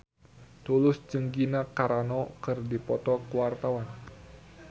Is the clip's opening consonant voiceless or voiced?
voiceless